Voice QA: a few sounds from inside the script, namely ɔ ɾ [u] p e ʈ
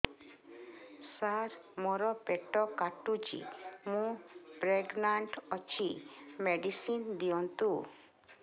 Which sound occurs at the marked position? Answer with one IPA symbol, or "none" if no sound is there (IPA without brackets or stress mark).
ɔ